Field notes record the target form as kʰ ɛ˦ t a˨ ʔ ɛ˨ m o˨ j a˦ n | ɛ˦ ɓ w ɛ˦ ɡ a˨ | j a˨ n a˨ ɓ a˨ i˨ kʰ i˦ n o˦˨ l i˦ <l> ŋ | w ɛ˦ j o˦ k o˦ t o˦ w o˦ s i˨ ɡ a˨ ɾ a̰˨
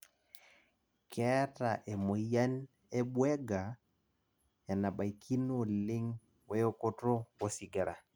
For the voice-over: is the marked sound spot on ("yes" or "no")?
no